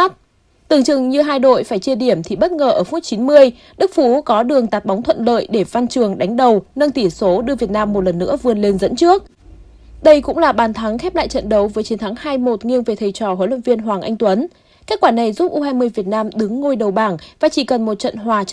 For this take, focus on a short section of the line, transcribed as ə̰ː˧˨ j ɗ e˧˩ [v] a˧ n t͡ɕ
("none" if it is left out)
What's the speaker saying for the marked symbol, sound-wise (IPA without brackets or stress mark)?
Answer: v